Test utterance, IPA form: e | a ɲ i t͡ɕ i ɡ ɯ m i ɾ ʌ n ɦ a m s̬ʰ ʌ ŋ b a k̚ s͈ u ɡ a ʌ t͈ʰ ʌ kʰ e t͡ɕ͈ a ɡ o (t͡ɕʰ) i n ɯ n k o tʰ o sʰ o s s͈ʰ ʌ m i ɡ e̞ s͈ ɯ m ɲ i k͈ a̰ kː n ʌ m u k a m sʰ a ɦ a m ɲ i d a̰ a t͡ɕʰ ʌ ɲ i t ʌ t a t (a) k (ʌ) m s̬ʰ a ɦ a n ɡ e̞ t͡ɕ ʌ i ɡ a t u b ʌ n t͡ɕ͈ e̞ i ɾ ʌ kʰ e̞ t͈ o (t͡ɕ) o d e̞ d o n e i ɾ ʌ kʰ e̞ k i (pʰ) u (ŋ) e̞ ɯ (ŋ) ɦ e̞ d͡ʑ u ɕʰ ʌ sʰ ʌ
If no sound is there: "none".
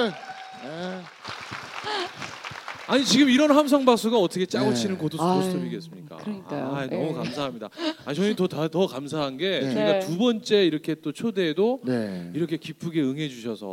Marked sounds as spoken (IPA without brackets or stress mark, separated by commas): t͡ɕʰ, ʌ, a, t͡ɕʰ, pʰ, ɡ, ŋ